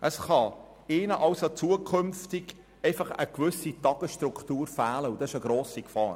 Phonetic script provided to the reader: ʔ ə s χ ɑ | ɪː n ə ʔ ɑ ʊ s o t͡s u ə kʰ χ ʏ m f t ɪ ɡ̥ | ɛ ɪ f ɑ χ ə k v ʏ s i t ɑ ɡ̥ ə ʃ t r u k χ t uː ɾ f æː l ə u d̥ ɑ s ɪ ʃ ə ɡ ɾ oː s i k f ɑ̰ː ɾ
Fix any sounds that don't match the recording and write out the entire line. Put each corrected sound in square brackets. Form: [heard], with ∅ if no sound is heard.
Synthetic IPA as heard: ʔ ə s χ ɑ | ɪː n ə ʔ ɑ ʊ s o t͡s u ə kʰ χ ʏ m f t ɪ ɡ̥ | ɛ ɪ f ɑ χ ə k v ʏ s i t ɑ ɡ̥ ə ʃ t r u k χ t uː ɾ f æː l ə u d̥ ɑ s ɪ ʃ ə ɡ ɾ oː s i k f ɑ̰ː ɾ